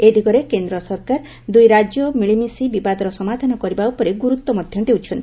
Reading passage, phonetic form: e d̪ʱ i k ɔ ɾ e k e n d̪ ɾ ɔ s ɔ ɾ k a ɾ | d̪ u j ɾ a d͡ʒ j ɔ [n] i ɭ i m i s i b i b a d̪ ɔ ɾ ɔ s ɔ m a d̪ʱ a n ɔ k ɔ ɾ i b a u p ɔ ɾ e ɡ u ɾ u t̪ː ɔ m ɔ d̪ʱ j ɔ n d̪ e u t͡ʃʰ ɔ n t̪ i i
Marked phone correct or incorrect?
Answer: incorrect